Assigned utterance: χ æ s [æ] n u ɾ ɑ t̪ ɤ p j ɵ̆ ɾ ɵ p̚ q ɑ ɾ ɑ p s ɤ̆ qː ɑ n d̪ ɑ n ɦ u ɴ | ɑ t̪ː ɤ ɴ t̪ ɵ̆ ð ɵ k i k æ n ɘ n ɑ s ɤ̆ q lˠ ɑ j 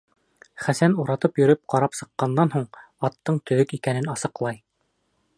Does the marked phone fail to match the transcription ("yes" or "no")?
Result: no